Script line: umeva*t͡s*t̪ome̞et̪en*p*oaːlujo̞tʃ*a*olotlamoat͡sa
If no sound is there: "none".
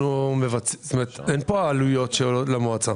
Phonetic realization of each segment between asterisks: t͡s, p, e

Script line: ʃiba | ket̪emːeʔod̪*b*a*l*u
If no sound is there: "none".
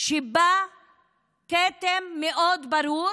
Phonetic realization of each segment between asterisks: b, ɾ

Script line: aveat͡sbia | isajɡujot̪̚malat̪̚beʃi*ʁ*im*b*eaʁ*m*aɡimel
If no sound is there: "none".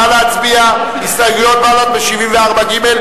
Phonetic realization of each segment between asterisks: v, v, b

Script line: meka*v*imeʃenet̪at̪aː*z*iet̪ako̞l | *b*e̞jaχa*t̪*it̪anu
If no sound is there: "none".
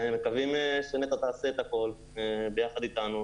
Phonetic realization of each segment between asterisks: v, s, b, d̪

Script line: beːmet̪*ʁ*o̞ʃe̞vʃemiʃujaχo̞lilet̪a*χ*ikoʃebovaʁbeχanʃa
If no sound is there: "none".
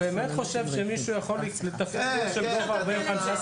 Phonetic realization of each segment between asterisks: χ, f

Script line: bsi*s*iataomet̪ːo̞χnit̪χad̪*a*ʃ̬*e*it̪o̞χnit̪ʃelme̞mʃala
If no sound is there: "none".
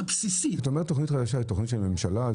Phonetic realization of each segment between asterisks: s, a, a

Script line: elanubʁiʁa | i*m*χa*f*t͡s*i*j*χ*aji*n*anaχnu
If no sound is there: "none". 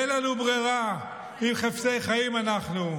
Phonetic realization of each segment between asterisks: m, f, e, χ, m

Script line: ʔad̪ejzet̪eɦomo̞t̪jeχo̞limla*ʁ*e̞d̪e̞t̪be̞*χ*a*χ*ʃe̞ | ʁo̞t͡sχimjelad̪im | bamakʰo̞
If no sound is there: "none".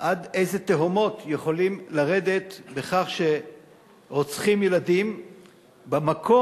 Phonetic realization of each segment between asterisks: ʁ, χ, χ

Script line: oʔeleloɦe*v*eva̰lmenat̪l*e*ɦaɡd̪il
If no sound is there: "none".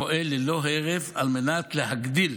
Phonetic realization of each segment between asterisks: ʁ, e

